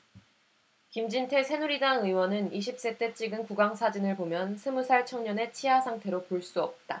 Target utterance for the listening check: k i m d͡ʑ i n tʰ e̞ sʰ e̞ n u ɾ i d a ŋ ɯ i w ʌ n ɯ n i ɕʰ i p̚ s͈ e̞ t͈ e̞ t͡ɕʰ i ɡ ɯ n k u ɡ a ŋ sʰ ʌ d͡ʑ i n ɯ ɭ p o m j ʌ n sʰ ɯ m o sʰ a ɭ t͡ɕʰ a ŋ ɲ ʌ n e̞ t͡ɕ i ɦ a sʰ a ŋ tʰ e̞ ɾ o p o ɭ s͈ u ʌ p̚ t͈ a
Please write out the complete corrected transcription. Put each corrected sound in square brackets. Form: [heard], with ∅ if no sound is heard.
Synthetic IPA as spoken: k i m d͡ʑ i n tʰ e̞ sʰ e̞ n u ɾ i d a ŋ ɯ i w ʌ n ɯ n i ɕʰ i p̚ s͈ e̞ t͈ e̞ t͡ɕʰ i ɡ ɯ n k u ɡ a ŋ sʰ [a] d͡ʑ i n ɯ ɭ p o m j ʌ n sʰ ɯ m [u] sʰ a ɭ t͡ɕʰ [ʌ] ŋ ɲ ʌ n e̞ [t͡ɕʰ] i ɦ a sʰ a ŋ tʰ e̞ ɾ o p o ɭ s͈ u ʌ p̚ t͈ a